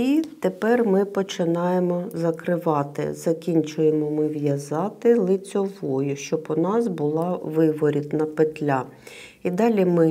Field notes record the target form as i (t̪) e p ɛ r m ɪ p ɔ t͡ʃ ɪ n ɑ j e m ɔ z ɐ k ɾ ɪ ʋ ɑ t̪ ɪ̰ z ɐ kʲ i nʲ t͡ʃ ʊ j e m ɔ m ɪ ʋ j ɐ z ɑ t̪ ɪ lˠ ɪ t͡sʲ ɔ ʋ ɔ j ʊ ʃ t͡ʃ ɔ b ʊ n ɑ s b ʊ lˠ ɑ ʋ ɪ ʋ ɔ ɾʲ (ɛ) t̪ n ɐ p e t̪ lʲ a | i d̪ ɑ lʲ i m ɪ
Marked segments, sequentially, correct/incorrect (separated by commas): correct, incorrect